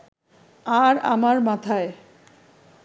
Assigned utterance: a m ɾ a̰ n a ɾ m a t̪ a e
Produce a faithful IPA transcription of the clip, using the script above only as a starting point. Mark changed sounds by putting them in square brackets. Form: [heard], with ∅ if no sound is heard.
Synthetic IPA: a [∅] ɾ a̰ [m] a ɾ m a [t̪ʰ] a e